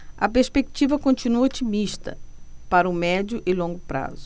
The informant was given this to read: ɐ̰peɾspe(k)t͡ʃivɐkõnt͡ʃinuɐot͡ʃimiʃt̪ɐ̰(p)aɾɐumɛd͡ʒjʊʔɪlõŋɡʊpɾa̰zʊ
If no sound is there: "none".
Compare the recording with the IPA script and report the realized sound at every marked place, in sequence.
k, p

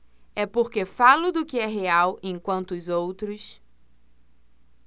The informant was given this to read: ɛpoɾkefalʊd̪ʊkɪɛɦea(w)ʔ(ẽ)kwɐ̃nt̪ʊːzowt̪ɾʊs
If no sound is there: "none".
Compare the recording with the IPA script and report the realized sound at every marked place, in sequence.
w, ẽ

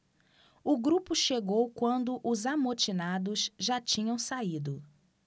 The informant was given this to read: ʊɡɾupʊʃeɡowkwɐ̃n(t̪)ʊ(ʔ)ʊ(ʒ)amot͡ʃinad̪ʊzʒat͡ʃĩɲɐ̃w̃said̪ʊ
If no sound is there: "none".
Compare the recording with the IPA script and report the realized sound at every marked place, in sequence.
d̪, ʔ, z

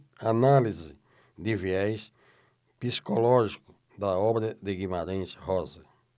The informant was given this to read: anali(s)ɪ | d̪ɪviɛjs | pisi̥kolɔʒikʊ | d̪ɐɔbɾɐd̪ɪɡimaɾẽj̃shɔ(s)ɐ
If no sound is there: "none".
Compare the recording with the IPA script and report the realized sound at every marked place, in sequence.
z, z

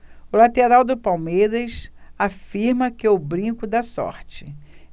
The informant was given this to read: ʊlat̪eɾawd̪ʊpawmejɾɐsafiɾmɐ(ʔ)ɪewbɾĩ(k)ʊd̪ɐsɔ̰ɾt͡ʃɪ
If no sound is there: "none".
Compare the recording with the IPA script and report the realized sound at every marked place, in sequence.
k, k

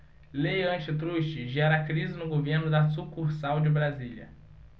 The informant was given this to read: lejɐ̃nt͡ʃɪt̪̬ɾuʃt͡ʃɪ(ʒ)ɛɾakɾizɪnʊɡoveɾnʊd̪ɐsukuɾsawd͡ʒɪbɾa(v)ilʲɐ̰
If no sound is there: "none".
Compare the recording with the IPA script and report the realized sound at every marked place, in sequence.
ʒ, z

